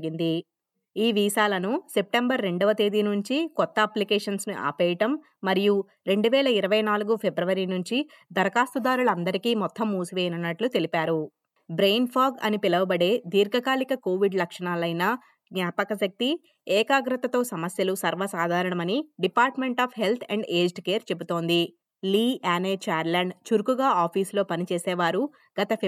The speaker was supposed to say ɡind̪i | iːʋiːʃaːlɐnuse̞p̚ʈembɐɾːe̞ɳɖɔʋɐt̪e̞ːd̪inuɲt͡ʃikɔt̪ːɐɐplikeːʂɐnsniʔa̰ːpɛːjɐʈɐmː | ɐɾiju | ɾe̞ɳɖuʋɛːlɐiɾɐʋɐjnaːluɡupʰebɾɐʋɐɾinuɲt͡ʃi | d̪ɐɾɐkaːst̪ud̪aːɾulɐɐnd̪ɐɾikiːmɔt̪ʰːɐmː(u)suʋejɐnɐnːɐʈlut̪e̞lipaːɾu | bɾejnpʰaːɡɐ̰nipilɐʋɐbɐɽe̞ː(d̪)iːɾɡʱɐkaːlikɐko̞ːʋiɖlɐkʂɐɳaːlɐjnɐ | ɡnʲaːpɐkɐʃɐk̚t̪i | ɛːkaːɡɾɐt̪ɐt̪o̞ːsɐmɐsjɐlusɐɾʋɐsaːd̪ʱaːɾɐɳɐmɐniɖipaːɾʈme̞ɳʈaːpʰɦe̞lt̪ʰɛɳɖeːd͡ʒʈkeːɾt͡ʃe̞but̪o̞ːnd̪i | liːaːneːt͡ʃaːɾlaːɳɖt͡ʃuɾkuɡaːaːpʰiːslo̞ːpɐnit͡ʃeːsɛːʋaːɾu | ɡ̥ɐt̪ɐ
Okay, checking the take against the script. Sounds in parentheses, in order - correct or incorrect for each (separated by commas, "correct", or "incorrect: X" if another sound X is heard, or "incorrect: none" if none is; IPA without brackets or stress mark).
incorrect: uː, correct